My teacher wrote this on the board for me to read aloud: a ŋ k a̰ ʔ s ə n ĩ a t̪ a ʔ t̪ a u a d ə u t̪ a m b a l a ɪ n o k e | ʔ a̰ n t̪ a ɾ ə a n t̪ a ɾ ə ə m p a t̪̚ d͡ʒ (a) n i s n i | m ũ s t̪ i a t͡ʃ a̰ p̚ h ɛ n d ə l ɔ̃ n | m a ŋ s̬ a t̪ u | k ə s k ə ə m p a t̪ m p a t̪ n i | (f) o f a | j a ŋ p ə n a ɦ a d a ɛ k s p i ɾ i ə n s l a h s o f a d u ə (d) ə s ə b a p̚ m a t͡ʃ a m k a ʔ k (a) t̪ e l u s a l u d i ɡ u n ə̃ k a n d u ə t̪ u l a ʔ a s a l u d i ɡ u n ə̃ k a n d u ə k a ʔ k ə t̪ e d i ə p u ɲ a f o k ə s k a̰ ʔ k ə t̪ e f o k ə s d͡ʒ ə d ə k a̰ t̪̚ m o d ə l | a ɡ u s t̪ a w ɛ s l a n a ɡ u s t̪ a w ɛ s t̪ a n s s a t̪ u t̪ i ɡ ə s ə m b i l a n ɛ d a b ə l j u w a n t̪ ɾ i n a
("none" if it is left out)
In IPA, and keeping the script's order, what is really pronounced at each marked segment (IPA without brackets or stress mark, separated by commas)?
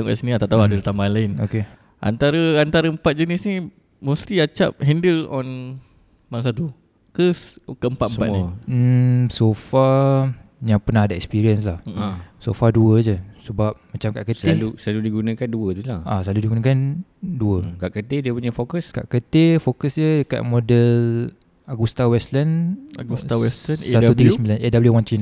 ə, s, d͡ʒ, ə